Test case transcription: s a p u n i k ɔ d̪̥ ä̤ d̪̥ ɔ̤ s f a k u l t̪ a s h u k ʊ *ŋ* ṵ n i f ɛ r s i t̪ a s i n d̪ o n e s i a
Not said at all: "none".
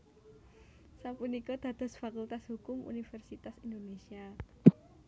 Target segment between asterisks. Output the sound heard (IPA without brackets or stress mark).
m